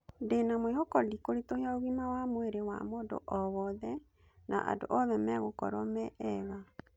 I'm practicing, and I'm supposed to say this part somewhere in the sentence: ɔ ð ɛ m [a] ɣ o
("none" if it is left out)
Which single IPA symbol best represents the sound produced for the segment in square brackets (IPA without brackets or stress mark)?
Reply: ɛ